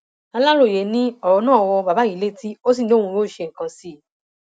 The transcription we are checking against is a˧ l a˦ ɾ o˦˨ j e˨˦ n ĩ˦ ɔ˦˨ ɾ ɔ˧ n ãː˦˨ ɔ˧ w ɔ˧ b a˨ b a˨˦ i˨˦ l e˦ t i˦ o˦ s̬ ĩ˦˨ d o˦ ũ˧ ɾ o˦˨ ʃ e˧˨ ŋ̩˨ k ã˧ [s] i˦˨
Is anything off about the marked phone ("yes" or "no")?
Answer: no